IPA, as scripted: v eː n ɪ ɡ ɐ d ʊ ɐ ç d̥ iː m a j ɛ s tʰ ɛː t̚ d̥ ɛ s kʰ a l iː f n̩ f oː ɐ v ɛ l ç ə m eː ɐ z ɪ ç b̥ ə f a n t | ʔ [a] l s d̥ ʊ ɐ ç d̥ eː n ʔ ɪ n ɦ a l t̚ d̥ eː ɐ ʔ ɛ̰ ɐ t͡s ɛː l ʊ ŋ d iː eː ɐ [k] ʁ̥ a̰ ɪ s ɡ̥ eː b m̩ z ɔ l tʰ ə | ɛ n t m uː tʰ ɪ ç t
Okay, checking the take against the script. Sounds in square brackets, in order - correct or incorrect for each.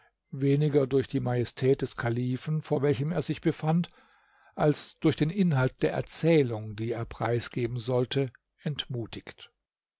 correct, incorrect: p

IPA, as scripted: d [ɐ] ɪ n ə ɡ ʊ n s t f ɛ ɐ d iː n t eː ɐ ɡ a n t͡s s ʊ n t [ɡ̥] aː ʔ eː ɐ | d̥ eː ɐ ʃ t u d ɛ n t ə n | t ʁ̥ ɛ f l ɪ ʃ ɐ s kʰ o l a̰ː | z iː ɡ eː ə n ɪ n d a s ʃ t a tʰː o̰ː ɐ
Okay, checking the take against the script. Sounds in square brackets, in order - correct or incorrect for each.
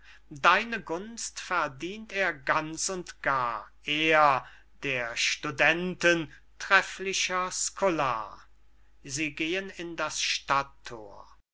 incorrect: a, correct

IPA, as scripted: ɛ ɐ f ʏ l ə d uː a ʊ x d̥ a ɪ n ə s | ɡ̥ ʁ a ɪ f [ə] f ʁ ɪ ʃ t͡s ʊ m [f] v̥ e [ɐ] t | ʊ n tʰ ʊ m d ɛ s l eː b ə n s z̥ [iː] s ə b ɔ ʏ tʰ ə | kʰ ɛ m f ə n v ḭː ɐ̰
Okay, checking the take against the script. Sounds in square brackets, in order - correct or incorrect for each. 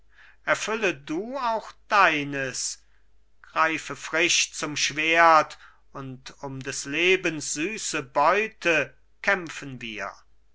correct, incorrect: ʃ, correct, incorrect: yː

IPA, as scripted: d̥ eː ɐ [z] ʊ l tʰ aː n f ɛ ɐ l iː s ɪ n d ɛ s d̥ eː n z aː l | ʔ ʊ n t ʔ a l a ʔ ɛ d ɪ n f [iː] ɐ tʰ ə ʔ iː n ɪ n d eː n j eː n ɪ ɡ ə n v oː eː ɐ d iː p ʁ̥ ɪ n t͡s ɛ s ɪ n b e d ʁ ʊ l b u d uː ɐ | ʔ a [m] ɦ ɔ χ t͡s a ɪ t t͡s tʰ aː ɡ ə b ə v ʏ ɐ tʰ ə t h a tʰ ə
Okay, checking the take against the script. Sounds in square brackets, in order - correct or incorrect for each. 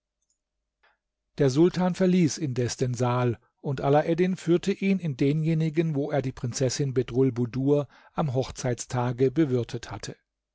correct, incorrect: yː, correct

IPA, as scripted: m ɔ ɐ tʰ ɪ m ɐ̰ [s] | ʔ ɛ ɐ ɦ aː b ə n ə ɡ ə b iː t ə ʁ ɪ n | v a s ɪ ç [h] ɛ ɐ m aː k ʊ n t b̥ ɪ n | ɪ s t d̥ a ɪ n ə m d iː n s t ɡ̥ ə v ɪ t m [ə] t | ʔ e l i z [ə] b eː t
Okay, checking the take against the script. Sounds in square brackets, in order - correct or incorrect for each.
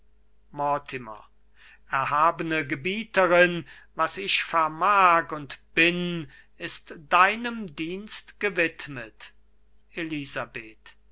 incorrect: none, incorrect: f, correct, incorrect: a

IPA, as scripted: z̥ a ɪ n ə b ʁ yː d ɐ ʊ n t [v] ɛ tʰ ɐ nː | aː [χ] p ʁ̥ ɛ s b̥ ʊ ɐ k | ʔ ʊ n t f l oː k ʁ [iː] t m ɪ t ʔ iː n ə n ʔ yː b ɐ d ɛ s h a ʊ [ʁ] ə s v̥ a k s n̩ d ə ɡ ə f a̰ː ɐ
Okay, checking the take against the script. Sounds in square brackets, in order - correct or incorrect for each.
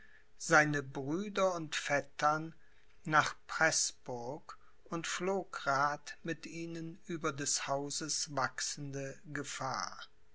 incorrect: f, correct, incorrect: aː, incorrect: z

